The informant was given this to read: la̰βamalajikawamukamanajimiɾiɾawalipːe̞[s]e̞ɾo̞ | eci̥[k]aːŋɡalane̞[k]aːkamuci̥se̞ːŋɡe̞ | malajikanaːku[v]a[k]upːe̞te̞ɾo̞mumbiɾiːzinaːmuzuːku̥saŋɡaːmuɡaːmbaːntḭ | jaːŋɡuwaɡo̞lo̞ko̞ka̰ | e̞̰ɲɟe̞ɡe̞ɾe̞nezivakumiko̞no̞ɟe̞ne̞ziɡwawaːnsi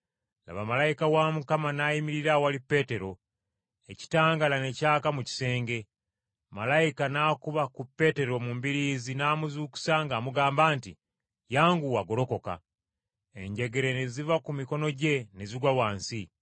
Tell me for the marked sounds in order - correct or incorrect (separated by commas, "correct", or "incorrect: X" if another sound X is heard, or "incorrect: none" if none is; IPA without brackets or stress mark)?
incorrect: t, incorrect: t, incorrect: c, incorrect: β, correct